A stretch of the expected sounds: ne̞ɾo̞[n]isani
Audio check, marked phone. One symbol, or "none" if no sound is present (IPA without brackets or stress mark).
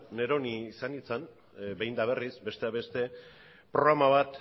n